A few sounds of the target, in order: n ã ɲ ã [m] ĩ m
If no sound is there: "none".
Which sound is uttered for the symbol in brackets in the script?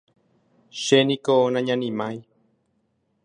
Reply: n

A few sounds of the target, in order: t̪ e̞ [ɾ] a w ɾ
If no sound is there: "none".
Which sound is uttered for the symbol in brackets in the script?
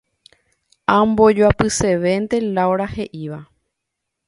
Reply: l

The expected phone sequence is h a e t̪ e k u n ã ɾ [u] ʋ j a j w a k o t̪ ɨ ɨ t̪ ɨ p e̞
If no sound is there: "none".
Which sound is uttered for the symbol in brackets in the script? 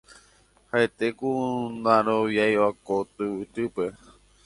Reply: o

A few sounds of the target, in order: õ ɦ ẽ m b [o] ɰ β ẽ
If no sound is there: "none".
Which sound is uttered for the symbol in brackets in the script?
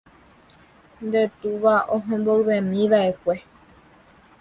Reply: o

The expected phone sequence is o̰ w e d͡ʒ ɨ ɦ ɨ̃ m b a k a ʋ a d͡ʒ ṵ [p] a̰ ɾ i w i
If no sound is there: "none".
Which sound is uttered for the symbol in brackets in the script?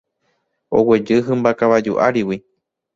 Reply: ʔ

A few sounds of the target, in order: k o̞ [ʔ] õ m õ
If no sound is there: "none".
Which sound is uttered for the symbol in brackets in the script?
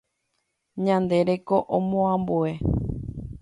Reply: ʔ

